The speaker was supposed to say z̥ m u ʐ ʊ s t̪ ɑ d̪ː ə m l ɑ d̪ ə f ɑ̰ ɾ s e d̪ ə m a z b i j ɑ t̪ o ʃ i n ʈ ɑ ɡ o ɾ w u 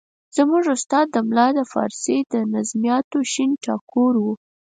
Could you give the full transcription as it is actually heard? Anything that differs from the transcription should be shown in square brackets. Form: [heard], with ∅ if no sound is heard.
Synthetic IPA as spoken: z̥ m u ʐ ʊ s t̪ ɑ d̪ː ə m l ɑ d̪ ə f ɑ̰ ɾ s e d̪ ə [n] a z [m] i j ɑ t̪ o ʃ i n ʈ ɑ [k] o ɾ w u

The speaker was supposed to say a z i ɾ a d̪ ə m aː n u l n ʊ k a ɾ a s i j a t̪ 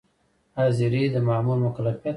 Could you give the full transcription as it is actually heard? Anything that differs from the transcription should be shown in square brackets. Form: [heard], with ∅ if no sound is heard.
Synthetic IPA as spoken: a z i ɾ [i] d̪ ə m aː [m] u l [m] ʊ k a [l] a [f] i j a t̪

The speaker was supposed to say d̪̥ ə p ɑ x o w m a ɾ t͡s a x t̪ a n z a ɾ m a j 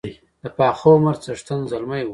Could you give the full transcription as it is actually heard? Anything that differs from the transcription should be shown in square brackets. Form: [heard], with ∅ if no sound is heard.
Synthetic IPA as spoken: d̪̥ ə p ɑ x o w m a ɾ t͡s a [ʂ] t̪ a n z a [l] m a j

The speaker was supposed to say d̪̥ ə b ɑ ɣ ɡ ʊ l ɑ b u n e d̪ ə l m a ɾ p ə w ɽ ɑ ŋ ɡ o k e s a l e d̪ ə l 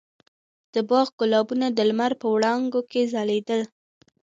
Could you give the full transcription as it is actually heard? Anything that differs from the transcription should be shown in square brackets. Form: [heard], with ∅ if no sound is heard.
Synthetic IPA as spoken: d̪̥ ə b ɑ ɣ ɡ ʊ l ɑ b u n [a] d̪ ə l m a ɾ p ə w ɽ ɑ ŋ ɡ o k e [z] a l e d̪ ə l

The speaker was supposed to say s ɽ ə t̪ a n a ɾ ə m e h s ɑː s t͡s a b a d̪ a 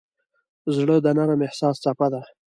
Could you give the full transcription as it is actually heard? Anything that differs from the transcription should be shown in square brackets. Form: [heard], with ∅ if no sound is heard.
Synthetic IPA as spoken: [z] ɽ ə [d̪] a n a ɾ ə m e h s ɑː s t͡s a [p] a d̪ a

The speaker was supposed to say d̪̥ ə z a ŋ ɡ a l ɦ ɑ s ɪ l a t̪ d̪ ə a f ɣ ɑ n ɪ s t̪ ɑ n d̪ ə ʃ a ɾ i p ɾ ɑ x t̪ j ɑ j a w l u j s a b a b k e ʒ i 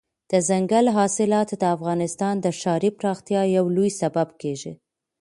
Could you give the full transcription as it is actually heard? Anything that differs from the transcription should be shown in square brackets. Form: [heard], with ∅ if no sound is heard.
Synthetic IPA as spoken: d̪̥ ə z a ŋ ɡ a l ɦ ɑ s ɪ l [ɑ] t̪ d̪ ə a f ɣ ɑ n ɪ s t̪ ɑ n d̪ ə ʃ [ɑ] ɾ i p ɾ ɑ x t̪ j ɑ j a w l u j s a b a b k e ʒ i

